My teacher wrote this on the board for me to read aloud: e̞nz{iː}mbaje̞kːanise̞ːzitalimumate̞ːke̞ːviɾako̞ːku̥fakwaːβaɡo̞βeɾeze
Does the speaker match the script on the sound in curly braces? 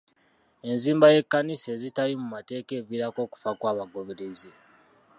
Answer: yes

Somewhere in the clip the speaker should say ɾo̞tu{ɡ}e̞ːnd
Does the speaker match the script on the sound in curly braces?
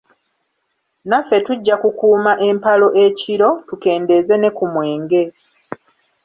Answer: no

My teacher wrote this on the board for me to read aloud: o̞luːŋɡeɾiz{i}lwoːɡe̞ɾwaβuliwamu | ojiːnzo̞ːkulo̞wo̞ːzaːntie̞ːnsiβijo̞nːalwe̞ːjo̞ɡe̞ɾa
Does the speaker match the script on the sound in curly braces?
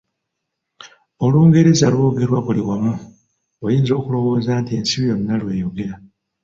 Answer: no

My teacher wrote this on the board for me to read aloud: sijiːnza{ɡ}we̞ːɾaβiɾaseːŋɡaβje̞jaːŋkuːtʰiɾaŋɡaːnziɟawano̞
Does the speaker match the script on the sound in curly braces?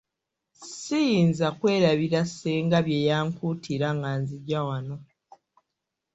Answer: no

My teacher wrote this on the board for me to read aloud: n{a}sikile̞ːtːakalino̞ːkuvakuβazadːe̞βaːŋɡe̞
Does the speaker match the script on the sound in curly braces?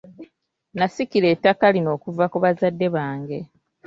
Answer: yes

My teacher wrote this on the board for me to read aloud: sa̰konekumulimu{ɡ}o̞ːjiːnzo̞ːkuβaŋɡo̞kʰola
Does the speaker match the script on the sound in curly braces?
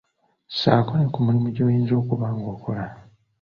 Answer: no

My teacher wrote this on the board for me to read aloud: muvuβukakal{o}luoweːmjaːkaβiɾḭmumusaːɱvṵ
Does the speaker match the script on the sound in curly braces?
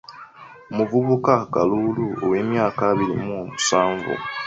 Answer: no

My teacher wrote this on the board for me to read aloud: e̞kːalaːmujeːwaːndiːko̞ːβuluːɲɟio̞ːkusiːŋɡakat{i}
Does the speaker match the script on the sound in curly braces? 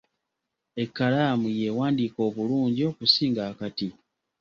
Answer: yes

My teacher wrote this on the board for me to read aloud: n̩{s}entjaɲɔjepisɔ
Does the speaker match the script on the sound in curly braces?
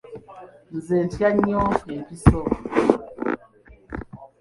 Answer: no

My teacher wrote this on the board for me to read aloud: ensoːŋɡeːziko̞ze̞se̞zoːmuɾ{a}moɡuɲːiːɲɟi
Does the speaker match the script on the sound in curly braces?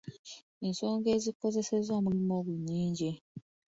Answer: no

